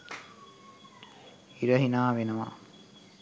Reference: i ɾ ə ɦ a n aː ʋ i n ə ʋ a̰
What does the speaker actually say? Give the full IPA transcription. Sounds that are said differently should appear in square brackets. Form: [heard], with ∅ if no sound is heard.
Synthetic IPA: i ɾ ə ɦ [i] n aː ʋ [e] n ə ʋ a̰